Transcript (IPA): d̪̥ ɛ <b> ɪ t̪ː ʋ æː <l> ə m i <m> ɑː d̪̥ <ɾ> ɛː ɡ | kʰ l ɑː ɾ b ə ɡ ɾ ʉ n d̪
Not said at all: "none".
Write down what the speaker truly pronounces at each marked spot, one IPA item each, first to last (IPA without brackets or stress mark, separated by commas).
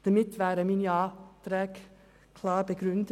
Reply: m, ɾ, n, ɾ